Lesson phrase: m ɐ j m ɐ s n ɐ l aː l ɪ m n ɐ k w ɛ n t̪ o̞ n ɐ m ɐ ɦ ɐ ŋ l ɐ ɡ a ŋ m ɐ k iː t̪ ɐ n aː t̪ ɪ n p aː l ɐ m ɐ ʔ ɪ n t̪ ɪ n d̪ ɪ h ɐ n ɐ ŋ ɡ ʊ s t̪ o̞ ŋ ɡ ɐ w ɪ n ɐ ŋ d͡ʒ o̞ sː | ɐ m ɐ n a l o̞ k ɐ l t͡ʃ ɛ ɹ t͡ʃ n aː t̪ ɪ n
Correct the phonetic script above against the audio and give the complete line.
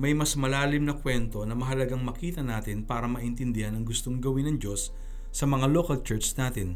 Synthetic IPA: m ɐ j m ɐ s m ɐ l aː l ɪ m n ɐ k w ɛ n t̪ o̞ n ɐ m ɐ ɦ ɐ l ɐ ɡ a ŋ m ɐ k iː t̪ ɐ n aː t̪ ɪ n p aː ɾ ɐ m ɐ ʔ ɪ n t̪ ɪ n d̪ ɪ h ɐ n ɐ ŋ ɡ ʊ s t̪ o̞ ŋ ɡ ɐ w ɪ n ɐ ŋ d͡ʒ o̞ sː | ɐ m ɐ ŋ a l o̞ k ɐ l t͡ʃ ɛ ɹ t͡ʃ n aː t̪ ɪ n